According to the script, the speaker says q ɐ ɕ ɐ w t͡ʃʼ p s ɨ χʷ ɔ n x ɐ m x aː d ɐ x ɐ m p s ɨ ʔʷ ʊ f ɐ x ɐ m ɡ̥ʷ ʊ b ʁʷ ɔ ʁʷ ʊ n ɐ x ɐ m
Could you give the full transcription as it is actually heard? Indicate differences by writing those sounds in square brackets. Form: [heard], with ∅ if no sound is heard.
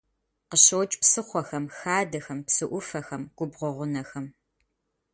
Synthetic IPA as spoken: q [ə] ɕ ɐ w t͡ʃʼ p s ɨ χʷ ɔ [∅] x ɐ m x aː d ɐ x ɐ m p s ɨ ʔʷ ʊ f ɐ x ɐ m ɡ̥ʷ ʊ b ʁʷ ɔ ʁʷ ʊ n ɐ x ɐ m